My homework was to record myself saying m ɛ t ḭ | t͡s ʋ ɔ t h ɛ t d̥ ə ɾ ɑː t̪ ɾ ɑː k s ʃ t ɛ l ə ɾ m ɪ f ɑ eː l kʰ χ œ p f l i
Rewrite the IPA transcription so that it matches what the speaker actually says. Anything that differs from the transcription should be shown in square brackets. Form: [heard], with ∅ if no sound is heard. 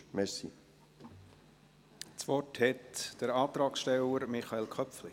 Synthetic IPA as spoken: m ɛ [s] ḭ | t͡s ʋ ɔ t h ɛ t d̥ ə ɾ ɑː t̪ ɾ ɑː k s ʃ t ɛ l ə ɾ m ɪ [χ] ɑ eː l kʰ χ œ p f l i